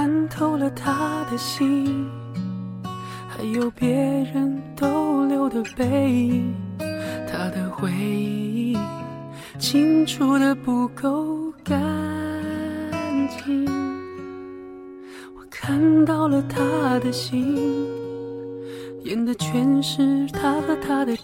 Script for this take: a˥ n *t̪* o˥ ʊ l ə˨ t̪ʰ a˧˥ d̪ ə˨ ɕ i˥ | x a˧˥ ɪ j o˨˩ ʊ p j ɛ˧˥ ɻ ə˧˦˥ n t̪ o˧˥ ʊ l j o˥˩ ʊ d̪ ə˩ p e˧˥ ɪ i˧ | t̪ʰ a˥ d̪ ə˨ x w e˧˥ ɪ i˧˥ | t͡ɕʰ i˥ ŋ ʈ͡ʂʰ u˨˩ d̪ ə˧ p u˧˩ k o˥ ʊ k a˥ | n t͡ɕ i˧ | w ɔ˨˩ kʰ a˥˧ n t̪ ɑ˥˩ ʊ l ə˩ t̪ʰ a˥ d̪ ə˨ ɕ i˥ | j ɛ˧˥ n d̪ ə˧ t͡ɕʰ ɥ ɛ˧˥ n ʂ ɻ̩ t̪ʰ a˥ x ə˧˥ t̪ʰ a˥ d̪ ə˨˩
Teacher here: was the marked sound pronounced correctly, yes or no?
no